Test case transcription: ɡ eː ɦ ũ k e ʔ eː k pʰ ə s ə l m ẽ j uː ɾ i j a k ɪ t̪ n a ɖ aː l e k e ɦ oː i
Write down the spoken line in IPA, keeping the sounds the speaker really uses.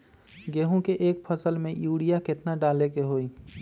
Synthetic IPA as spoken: ɡ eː ɦ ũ k e ʔ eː k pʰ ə s ə l m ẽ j uː ɽ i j a k ɪ t̪ n a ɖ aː l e k e ɦ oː i

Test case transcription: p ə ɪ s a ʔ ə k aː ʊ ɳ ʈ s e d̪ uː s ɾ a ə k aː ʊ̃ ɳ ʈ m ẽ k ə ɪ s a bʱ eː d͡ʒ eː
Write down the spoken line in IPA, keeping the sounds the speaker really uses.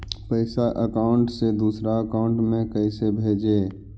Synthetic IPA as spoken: p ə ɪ s a ʔ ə k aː ʊ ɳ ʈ s e d̪ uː s ɾ a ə k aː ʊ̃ ɳ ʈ m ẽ k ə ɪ s e bʱ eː d͡ʒ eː

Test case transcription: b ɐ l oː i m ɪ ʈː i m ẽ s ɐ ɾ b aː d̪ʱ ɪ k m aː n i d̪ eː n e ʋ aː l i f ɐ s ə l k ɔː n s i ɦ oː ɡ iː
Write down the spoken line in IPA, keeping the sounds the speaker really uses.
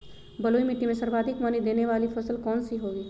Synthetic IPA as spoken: b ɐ l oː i m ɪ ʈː i m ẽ s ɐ ɾ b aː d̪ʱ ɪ k m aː n i d̪ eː n e ʋ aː l i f ɐ s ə l k ɔː n s i ɦ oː ɡ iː

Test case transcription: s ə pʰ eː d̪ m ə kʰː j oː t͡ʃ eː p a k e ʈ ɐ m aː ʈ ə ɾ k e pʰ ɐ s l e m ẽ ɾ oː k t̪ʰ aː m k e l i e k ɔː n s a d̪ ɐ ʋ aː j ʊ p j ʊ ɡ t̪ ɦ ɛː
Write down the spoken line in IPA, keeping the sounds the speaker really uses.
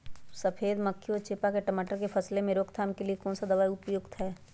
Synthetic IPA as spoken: s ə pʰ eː d̪ m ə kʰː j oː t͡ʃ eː p a k e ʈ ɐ m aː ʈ ə ɾ k e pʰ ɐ s l e m ẽ ɾ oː k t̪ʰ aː m k e l i e k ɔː n s a d̪ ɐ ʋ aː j ʊ p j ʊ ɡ t̪ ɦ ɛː

